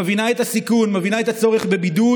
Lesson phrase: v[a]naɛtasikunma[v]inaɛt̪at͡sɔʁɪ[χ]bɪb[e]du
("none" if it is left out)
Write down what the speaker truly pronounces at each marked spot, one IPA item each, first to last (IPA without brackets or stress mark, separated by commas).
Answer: i, v, χ, i